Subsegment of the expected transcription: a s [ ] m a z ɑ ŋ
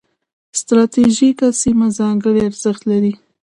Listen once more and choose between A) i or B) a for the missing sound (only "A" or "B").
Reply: A